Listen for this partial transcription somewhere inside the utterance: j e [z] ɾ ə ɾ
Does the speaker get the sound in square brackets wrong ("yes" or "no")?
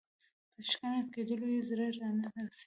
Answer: no